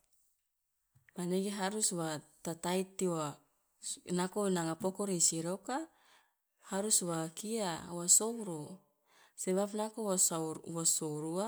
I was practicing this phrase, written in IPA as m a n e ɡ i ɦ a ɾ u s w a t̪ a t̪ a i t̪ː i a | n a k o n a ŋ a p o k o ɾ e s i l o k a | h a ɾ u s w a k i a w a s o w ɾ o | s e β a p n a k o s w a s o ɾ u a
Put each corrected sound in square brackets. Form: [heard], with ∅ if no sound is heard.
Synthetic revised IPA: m a n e ɡ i ɦ a ɾ u s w a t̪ a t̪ a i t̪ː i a | n a k o n a ŋ a p o k o ɾ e s i [ɾ] o k a | h a ɾ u s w a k i a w a s o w ɾ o | s e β a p n a k o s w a s o ɾ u a